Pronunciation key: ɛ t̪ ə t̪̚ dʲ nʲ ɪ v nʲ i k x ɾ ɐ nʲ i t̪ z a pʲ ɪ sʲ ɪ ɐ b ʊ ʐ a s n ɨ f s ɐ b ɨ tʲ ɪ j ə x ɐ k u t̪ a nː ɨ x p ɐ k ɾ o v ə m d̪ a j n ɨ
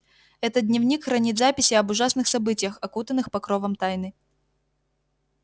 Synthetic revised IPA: ɛ t̪ ə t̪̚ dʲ nʲ ɪ v nʲ i k x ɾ ɐ nʲ i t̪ z a pʲ ɪ sʲ ɪ ɐ b ʊ ʐ a s n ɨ x s ɐ b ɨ tʲ ɪ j ə x ɐ k u t̪ ə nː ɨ x p ɐ k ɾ o v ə m t̪ a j n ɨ